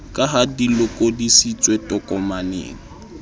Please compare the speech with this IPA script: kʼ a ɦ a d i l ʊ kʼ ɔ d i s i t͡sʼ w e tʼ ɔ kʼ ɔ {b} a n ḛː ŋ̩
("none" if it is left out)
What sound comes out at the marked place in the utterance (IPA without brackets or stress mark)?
m